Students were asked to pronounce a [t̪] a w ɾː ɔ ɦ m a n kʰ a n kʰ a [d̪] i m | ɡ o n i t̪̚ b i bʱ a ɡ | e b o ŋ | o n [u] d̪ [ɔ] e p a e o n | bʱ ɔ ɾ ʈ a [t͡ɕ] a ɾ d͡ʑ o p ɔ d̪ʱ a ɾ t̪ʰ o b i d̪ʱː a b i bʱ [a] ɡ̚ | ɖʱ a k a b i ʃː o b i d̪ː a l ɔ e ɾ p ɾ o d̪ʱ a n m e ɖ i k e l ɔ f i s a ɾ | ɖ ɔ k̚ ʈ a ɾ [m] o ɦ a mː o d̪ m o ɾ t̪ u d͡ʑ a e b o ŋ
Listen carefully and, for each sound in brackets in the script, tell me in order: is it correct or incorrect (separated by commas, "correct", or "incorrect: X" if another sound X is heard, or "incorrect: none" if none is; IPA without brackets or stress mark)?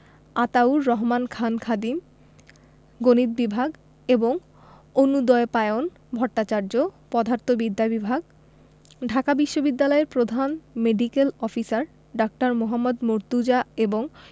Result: correct, correct, correct, correct, correct, correct, correct